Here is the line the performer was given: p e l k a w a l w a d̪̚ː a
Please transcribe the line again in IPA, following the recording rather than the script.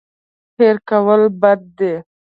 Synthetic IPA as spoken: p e ɾ k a w ə l b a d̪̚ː e